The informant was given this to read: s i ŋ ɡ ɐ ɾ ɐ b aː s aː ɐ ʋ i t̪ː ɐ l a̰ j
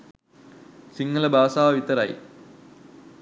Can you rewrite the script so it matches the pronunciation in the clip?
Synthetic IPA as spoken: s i ŋ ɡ ɐ l ɐ b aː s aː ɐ ʋ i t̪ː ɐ ɾ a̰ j